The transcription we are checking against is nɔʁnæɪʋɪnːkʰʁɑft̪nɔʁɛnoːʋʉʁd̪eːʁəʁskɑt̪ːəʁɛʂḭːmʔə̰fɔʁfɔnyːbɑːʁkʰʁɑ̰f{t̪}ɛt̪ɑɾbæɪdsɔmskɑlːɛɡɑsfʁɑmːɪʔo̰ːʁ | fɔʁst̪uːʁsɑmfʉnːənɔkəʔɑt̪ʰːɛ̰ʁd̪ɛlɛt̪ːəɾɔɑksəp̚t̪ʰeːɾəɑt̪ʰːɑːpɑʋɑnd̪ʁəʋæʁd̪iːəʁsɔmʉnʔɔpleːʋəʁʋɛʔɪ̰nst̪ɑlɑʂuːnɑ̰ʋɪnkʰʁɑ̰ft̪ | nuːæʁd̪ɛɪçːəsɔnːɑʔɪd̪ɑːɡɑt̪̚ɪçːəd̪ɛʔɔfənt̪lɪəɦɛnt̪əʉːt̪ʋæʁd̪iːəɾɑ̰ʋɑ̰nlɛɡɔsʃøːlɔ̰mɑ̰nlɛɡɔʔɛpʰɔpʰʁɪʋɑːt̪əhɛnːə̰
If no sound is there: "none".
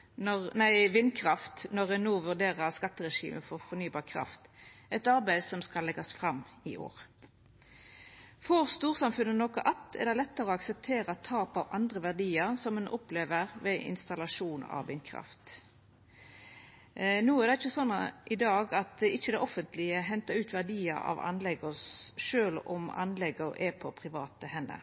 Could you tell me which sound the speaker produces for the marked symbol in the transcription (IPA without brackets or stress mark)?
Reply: t̪